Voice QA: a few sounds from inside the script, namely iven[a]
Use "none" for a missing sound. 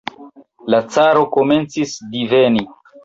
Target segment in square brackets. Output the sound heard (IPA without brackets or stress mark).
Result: i